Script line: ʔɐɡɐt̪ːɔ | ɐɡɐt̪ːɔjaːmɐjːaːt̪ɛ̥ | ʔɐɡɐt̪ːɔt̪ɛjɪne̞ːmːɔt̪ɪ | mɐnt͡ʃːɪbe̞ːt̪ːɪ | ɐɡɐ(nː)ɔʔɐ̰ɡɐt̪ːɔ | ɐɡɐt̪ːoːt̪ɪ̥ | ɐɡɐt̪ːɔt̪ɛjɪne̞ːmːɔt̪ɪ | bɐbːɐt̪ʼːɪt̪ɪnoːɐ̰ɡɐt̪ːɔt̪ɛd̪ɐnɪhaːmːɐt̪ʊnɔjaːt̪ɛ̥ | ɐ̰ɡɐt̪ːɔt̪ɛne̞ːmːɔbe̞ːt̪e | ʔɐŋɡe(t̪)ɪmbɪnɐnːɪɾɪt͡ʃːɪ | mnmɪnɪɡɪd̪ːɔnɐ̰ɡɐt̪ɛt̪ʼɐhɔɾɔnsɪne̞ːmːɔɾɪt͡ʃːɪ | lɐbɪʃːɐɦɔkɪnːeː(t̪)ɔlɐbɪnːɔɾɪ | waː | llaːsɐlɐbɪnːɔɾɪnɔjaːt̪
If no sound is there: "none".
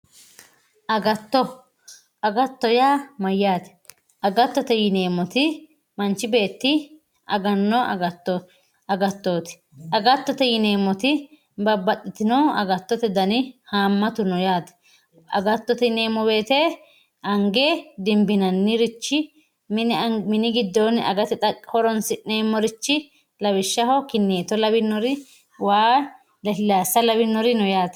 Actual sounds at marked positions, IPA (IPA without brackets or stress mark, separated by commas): nː, d̪, t̪